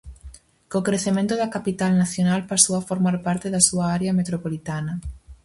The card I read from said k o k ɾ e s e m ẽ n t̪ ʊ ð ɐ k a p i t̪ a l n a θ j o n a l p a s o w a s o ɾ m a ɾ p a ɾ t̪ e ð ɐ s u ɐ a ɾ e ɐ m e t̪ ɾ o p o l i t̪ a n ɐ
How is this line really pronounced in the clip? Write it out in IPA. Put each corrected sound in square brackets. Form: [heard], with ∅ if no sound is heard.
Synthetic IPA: k o k ɾ e [θ] e m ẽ n t̪ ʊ ð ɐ k a p i t̪ a l n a θ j o n a l p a s o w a [f] o ɾ m a ɾ p a ɾ t̪ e ð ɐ s u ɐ a ɾ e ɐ m e t̪ ɾ o p o l i t̪ a n ɐ

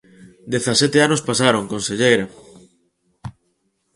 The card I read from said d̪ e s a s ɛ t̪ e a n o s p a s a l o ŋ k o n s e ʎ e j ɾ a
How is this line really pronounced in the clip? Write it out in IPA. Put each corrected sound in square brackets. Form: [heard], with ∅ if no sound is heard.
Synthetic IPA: d̪ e [θ] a s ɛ t̪ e a n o s p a s a [ɾ] o ŋ k o n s e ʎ e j ɾ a

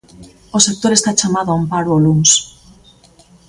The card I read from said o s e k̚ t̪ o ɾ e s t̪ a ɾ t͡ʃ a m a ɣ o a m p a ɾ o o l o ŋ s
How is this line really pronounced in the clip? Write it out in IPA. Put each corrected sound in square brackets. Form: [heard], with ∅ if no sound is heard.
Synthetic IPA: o s e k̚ t̪ o ɾ e s t̪ a [∅] t͡ʃ a m a [ð] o a m p a ɾ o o l [u] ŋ s

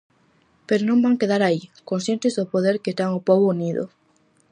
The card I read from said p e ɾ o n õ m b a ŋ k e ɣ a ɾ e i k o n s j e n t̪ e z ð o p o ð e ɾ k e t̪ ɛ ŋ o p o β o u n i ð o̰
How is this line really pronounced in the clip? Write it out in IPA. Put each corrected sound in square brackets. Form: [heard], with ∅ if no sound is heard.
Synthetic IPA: p e ɾ o n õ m b a ŋ k e [ð] a ɾ [a] i k o n s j e n t̪ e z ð o p o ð e ɾ k e t̪ [a] ŋ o p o β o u n i ð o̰

